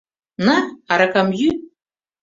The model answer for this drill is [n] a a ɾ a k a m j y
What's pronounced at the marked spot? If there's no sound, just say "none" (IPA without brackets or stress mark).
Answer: n